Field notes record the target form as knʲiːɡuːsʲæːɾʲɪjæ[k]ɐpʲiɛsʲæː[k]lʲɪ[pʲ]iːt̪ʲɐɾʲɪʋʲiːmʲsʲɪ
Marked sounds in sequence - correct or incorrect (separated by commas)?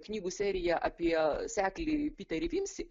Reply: incorrect, correct, correct